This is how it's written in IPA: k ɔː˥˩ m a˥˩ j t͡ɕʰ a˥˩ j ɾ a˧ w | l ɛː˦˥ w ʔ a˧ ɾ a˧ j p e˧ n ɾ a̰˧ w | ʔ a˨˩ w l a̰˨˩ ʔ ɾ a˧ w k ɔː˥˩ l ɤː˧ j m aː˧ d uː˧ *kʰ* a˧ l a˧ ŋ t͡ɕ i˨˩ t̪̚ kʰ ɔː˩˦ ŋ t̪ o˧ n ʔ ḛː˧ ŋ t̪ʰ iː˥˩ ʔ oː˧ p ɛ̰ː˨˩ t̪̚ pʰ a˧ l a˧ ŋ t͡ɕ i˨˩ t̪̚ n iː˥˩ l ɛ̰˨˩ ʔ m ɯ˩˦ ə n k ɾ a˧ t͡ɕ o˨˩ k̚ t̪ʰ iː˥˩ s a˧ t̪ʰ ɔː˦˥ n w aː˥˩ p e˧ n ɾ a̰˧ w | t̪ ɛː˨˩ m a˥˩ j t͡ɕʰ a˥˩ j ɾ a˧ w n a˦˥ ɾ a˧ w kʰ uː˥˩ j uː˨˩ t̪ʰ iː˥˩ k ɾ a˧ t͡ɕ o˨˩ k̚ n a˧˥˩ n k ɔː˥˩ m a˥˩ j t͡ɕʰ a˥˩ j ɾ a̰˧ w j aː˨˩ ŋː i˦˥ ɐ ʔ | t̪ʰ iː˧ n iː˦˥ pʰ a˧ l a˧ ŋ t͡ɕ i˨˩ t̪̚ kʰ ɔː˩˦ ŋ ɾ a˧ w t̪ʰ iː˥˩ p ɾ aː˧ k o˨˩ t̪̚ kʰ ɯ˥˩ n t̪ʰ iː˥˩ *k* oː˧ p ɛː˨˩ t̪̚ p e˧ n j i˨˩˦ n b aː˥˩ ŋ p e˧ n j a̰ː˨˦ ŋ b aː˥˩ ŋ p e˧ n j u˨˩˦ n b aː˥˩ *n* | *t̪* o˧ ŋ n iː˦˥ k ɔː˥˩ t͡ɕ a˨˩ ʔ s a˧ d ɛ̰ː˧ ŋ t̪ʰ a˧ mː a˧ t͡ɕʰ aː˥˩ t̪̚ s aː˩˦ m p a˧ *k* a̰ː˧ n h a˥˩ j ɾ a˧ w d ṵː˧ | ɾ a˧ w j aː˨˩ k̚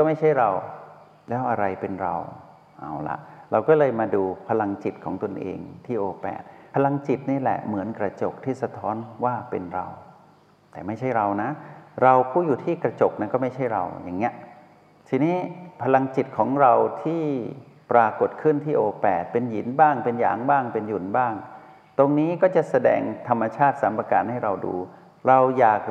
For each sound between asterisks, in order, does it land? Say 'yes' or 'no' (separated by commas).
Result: no, no, no, yes, yes